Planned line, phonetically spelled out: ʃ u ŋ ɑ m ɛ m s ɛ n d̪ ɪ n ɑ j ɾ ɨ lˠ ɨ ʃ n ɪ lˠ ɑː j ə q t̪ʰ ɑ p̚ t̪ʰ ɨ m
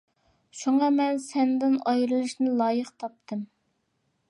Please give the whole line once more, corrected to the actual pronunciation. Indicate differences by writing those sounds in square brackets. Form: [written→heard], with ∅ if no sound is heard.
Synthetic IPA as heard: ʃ u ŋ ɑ m ɛ [m→n] s ɛ n d̪ ɪ n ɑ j ɾ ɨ lˠ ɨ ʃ n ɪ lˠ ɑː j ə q t̪ʰ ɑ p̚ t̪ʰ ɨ m